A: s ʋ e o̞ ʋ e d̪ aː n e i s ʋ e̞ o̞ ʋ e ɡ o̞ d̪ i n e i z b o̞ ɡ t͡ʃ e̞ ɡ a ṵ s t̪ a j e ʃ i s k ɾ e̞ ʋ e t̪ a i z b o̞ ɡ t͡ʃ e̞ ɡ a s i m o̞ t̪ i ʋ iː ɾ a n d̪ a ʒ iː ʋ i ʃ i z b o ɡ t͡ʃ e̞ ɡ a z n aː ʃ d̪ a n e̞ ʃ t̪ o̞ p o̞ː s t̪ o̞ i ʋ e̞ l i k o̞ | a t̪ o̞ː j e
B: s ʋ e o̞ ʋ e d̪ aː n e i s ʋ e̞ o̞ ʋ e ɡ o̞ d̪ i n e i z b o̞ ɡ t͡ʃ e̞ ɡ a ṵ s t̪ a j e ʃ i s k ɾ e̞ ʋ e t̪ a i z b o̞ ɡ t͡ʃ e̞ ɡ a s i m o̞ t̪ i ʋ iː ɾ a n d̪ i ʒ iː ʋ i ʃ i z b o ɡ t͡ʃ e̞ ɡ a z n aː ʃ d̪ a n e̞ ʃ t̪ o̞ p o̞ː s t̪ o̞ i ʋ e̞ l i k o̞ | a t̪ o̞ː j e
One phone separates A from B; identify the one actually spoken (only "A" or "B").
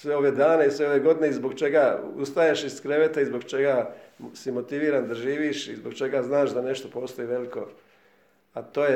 A